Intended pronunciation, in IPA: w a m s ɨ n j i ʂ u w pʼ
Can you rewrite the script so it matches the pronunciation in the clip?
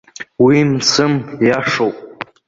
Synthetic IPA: w i m s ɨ m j a ʂ o w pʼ